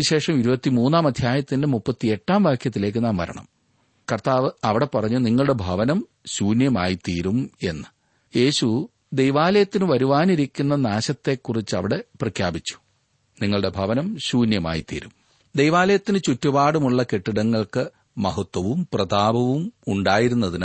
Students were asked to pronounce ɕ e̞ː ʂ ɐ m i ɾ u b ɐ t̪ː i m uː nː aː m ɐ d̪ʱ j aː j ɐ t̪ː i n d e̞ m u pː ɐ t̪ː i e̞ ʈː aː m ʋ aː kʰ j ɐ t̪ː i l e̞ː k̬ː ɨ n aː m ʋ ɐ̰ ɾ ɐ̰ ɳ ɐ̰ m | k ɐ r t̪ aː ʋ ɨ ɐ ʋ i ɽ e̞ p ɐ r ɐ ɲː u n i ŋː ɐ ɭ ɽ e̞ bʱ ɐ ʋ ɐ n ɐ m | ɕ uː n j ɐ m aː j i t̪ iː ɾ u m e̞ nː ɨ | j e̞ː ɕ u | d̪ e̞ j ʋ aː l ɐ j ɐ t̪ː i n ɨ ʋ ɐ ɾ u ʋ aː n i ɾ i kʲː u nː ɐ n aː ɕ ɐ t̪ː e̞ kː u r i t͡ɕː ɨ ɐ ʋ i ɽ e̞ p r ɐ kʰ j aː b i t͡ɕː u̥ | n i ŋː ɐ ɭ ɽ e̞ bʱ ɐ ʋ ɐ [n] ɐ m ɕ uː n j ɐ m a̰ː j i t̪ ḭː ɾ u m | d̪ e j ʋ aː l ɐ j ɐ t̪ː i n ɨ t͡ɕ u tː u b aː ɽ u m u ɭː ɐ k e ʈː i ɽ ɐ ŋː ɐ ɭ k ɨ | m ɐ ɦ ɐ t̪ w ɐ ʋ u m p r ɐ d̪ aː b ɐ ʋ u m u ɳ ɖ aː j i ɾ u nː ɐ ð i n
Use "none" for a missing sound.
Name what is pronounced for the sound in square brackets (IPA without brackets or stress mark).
n